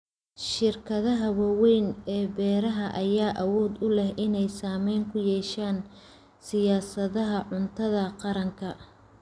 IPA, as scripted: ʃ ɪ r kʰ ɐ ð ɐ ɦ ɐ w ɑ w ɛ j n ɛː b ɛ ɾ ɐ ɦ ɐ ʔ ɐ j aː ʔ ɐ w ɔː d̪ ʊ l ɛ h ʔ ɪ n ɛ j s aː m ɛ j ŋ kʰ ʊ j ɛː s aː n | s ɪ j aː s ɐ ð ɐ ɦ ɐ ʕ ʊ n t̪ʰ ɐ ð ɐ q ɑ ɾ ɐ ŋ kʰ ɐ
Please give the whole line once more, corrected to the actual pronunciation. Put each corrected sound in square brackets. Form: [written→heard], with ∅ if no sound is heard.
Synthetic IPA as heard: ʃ ɪ r kʰ ɐ ð ɐ ɦ ɐ w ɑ w ɛ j n ɛː b [ɛ→ɛː] ɾ ɐ ɦ ɐ ʔ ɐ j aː ʔ ɐ w ɔː d̪ ʊ l ɛ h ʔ ɪ n ɛ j s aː m ɛ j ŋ kʰ ʊ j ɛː [s→ʃ] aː n | s ɪ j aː s ɐ ð ɐ ɦ ɐ ʕ ʊ n t̪ʰ ɐ ð ɐ q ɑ ɾ ɐ ŋ kʰ ɐ